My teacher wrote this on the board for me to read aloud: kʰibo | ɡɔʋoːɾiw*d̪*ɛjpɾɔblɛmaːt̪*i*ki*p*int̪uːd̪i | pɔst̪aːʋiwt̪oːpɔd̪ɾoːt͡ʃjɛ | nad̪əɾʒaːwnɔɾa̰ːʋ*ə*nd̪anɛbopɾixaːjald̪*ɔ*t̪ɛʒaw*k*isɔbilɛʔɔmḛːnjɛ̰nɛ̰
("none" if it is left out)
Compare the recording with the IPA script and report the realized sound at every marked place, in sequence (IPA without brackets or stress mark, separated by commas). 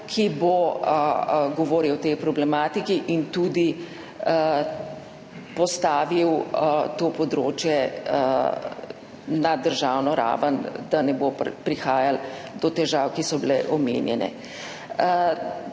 t̪, i, ʔ, ə, ɔ, k